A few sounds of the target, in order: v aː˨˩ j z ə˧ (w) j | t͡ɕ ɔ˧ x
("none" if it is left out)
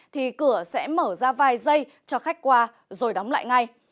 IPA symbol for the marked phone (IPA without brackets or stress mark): none